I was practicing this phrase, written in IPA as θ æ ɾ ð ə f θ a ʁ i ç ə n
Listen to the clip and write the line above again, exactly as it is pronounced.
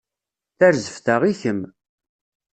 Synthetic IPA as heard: θ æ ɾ z ə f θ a ʁ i ç ə m